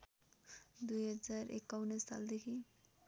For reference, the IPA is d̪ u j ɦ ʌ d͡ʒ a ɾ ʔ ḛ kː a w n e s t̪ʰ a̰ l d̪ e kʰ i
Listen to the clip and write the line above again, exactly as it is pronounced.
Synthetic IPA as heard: d̪ u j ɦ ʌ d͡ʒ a ɾ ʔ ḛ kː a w n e s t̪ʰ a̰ l d̪ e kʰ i